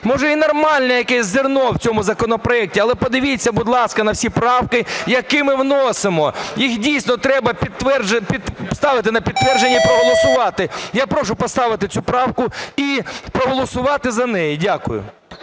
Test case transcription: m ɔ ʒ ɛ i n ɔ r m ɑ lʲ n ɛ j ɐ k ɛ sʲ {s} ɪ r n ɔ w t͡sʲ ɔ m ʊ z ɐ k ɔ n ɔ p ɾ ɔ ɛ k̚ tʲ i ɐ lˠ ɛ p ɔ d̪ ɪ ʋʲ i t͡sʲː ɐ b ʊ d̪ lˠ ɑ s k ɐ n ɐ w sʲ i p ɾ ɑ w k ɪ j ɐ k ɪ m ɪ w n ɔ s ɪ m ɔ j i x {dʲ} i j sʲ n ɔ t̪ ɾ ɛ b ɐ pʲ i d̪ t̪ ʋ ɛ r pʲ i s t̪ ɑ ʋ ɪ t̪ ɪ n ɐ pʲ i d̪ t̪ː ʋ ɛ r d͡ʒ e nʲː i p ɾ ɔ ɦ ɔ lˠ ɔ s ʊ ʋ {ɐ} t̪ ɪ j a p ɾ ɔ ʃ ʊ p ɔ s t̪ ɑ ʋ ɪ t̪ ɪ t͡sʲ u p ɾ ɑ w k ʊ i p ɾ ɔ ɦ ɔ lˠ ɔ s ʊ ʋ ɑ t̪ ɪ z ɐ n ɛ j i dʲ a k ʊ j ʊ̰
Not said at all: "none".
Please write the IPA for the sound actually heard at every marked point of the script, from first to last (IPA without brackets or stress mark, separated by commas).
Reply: z, dʲ, ɑ